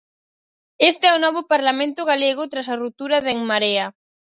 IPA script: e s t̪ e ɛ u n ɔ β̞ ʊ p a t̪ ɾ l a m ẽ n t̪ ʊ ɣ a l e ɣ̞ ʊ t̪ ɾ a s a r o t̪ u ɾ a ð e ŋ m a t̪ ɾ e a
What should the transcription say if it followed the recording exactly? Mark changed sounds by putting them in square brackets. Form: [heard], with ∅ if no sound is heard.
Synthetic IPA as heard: e s t̪ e ɛ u n ɔ β̞ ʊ p a [∅] ɾ l a m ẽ n t̪ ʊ ɣ a l e ɣ̞ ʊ t̪ ɾ a s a r [u] t̪ u ɾ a ð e ŋ m a [∅] ɾ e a